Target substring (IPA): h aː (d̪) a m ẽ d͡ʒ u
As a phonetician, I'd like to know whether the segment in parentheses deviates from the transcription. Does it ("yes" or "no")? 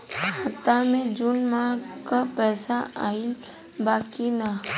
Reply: yes